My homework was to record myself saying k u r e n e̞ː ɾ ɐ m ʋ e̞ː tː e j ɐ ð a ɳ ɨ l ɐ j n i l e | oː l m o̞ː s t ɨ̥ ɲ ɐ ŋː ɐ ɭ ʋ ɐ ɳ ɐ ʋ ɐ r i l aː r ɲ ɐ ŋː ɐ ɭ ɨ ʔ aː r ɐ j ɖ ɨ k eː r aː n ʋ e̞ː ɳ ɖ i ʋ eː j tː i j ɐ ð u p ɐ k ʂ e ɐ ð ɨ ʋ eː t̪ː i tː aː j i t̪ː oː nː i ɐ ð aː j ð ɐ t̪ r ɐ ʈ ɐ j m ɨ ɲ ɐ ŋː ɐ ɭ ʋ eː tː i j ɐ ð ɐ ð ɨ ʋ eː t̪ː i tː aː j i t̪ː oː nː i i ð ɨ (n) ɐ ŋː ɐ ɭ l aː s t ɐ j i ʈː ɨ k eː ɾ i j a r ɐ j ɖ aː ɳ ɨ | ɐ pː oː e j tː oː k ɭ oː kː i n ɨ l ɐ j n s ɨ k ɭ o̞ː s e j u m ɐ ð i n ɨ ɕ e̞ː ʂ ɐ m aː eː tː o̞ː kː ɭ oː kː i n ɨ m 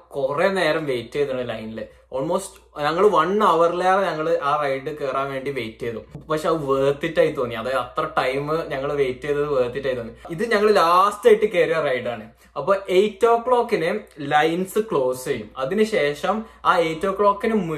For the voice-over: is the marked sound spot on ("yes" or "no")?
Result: no